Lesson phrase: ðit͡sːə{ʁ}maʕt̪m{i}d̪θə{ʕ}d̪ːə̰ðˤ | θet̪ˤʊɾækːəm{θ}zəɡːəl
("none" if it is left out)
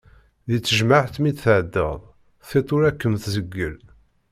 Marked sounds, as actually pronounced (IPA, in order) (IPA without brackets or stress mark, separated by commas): ʒ, i, ʕ, θ